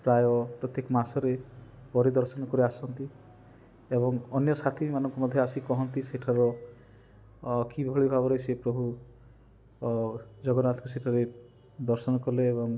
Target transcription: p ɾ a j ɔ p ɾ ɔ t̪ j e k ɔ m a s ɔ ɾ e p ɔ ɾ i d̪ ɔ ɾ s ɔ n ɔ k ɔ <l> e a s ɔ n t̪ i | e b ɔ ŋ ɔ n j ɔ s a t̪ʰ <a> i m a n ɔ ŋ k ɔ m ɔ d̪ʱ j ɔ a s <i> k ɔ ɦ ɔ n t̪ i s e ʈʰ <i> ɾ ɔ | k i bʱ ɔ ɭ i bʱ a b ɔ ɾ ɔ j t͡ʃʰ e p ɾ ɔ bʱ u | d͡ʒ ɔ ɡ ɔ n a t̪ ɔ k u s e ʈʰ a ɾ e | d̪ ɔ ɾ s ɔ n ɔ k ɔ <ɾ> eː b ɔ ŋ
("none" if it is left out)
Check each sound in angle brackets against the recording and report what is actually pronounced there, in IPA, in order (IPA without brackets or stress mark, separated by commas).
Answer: ɾ, i, i, a, l